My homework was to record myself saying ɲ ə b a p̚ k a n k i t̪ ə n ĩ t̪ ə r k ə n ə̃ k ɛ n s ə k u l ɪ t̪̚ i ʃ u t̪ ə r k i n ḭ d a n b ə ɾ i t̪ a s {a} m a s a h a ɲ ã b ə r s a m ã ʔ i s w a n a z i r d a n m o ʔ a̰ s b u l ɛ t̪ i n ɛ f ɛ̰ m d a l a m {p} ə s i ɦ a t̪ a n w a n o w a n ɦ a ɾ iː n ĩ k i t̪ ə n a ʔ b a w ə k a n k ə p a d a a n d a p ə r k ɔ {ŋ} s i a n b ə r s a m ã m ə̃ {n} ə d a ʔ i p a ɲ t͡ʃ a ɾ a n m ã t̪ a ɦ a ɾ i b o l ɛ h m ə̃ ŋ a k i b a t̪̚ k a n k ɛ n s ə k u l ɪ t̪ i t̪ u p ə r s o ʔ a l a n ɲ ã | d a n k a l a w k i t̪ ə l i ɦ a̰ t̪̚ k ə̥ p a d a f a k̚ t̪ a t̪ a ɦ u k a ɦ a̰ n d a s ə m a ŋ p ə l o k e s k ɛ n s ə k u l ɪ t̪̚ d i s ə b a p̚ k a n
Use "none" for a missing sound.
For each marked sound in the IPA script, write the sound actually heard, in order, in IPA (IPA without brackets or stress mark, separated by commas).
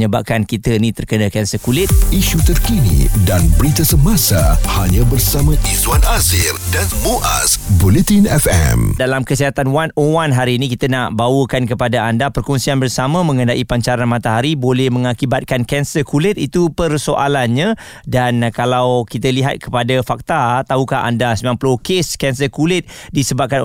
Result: ə, k, n, ŋ